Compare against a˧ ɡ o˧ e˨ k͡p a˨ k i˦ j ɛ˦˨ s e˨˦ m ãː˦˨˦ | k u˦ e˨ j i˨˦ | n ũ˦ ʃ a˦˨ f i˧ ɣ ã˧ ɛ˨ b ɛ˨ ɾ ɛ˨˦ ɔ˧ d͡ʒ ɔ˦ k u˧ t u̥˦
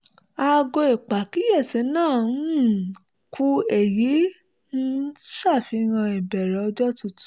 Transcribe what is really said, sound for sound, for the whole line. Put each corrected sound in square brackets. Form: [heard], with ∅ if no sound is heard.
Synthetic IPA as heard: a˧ ɡ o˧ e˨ k͡p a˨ k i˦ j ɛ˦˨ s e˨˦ [n] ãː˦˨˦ | k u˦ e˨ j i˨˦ | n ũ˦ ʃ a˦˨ f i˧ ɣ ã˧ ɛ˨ b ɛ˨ ɾ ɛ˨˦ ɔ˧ d͡ʒ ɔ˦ [t] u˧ t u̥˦